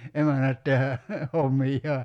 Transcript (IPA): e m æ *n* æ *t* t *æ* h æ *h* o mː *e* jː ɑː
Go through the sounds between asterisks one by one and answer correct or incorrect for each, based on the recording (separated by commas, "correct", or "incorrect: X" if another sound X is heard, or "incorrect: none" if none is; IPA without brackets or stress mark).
correct, correct, incorrect: e, correct, incorrect: i